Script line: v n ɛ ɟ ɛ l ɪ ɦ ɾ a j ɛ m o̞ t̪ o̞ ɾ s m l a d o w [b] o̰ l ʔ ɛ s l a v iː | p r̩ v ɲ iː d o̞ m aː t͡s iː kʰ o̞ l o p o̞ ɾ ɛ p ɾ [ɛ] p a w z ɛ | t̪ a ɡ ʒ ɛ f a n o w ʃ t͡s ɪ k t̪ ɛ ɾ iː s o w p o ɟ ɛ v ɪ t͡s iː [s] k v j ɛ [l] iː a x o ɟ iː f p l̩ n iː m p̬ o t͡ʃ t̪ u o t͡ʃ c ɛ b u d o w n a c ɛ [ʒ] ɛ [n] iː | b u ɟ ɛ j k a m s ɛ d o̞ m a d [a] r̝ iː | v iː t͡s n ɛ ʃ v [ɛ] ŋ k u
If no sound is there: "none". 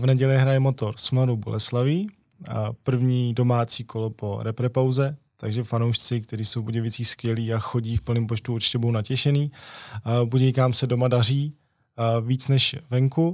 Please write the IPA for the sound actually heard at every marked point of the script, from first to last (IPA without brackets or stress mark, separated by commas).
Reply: b, ɛ, s, l, ʃ, n, a, ɛ